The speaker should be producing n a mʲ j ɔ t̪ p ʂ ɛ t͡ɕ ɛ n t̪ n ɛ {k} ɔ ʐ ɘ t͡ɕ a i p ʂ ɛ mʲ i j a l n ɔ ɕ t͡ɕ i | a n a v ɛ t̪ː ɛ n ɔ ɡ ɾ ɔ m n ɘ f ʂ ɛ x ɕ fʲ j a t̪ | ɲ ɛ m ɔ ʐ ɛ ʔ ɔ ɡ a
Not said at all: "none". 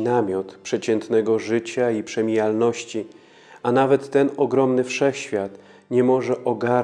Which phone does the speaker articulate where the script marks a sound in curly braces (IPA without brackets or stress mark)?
ɡ